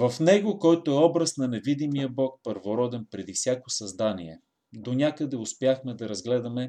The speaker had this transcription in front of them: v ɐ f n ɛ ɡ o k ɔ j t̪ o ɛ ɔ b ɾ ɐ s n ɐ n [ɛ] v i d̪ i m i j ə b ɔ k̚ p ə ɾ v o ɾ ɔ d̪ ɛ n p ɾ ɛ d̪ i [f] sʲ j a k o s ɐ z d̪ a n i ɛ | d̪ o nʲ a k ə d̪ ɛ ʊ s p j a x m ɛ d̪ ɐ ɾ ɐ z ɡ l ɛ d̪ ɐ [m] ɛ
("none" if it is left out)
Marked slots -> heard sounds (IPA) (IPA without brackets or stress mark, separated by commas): ɛ, f, m